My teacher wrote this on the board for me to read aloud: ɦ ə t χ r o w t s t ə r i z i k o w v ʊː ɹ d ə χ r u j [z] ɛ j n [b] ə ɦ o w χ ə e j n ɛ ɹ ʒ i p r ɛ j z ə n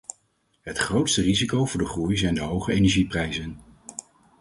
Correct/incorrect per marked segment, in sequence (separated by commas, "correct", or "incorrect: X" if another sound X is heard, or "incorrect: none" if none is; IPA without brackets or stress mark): correct, incorrect: d